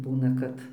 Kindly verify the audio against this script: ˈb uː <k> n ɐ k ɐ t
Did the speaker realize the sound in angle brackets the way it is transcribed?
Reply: no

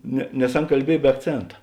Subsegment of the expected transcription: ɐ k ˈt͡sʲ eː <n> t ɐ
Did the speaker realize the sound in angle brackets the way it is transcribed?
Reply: yes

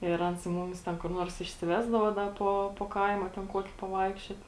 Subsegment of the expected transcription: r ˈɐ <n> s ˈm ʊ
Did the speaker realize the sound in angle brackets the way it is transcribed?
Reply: yes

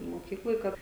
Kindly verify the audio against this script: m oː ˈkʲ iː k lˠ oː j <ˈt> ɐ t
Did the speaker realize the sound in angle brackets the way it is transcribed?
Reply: no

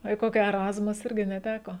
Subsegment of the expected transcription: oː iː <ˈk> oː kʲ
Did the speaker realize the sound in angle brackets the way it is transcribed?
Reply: yes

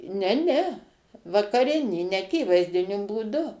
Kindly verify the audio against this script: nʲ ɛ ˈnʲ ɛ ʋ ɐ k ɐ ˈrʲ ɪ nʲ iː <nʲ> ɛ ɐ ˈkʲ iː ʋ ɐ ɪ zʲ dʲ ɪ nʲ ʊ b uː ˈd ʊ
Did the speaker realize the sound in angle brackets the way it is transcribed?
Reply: yes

